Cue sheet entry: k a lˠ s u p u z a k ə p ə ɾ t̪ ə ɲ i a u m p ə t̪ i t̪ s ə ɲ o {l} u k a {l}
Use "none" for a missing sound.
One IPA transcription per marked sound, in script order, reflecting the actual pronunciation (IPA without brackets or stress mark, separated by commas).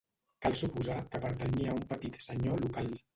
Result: l, l